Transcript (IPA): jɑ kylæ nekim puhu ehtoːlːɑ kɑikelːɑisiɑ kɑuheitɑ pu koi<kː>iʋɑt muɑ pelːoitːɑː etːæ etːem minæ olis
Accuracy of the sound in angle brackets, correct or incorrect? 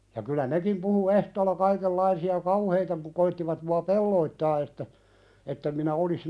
incorrect